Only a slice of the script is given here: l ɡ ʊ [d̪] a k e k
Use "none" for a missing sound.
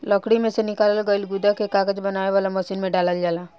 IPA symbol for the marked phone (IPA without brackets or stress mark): d̪